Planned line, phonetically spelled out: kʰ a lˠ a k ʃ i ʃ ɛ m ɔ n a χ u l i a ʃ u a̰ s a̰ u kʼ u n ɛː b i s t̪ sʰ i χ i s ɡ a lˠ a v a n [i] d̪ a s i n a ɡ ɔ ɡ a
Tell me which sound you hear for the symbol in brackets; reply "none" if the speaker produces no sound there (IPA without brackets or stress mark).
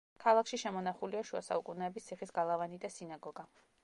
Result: i